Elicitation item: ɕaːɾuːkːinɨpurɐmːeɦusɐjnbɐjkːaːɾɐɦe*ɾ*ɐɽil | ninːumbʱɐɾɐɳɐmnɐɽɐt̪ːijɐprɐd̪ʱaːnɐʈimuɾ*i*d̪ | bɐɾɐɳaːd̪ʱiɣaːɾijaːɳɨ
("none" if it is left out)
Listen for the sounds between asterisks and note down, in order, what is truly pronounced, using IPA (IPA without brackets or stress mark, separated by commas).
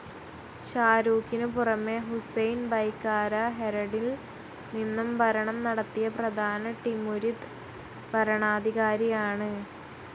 ɾ, i